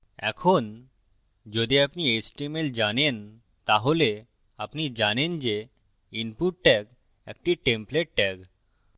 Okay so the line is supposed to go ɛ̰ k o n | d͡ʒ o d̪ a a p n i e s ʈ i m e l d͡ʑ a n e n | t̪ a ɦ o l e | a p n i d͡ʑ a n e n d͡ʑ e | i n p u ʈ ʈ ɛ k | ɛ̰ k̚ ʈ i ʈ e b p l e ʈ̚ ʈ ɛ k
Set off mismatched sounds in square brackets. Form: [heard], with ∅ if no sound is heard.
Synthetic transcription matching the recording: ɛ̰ [kʰ] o n | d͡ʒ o d̪ [i] a p n i e s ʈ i m e l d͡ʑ a n e n | t̪ a ɦ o l e | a p n i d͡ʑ a n e n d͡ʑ e | i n p u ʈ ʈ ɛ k | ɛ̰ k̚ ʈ i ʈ e [m] p l e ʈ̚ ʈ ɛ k

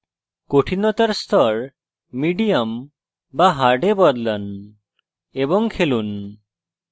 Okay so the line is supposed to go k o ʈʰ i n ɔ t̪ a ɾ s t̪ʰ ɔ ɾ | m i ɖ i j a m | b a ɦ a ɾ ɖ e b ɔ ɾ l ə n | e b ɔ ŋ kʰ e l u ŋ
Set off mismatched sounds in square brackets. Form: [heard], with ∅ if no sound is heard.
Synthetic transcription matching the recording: k o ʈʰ i n ɔ t̪ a ɾ s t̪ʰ ɔ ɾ | m i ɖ i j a m | b a ɦ a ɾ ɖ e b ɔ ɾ l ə n | e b ɔ ŋ kʰ e l u [n]

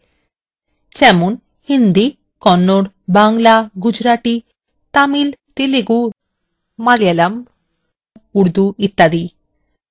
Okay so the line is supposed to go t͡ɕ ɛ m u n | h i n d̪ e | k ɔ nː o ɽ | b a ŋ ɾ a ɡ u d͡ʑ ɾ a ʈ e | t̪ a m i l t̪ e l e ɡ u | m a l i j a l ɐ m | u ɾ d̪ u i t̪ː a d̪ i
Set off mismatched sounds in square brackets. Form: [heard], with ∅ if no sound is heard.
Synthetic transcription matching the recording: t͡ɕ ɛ m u n | h i n d̪ [i] | k ɔ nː o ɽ | b a ŋ [l] a ɡ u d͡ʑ ɾ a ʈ [i] | t̪ a m i l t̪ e l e ɡ u | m a l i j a l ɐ m | u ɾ d̪ u i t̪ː a d̪ i

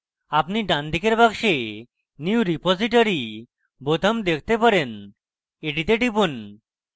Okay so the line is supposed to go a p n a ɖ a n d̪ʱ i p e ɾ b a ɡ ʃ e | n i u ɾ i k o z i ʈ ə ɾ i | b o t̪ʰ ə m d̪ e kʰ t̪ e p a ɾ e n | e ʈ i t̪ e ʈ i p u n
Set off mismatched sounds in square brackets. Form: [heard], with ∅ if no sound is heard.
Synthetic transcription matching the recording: a p n [i] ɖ a n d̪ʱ i [k] e ɾ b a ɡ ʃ e | n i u ɾ i [p] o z i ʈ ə ɾ i | b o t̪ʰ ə m d̪ e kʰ t̪ e p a ɾ e n | e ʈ i t̪ e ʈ i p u n

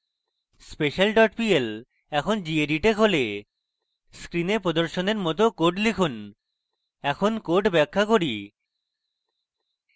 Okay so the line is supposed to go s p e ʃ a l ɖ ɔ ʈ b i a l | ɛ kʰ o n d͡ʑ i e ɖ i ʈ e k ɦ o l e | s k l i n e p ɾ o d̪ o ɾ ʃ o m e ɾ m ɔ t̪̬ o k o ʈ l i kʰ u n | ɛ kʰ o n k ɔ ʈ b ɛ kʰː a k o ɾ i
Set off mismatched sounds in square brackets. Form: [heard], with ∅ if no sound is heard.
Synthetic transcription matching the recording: s p e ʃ a l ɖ ɔ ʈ [p] i [e] l | ɛ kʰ o n d͡ʑ i e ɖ i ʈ e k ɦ o l e | s k [ɾ] i n e p ɾ o d̪ o ɾ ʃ o [n] e ɾ m ɔ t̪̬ o k o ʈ l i kʰ u n | ɛ kʰ o n k [o] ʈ b ɛ kʰː a k o ɾ i

